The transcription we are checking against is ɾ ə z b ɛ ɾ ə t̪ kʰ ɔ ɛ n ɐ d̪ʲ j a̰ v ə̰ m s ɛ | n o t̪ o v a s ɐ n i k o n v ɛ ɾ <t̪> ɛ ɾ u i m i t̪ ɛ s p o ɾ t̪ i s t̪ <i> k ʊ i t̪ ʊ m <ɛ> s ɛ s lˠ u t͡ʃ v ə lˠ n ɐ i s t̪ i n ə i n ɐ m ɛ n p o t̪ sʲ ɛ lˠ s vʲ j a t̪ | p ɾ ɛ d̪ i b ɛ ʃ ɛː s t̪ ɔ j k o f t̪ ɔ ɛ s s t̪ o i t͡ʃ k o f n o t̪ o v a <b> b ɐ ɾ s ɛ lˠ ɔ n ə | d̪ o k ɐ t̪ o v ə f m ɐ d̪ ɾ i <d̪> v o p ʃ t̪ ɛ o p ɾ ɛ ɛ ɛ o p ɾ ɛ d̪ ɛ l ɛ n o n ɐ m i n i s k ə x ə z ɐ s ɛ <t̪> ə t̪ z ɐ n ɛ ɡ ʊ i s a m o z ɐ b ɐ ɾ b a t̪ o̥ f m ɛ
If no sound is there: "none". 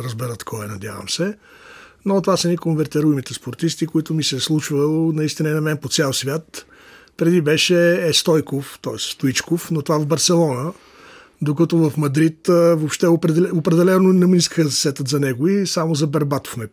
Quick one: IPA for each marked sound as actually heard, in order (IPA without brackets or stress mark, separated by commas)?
t̪, i, i, v, t̪, t̪